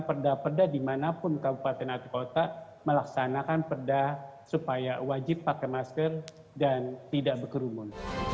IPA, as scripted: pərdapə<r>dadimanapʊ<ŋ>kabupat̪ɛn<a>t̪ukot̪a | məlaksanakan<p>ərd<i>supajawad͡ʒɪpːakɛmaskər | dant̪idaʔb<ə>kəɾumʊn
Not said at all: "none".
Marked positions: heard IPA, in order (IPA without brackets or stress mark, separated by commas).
r, n, a, p, a, ə